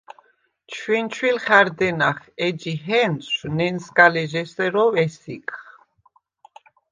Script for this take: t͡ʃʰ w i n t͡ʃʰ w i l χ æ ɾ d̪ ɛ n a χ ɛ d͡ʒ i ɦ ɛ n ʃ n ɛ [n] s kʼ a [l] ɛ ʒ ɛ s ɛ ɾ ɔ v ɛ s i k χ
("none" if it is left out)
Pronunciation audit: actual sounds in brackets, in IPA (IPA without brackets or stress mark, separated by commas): n, l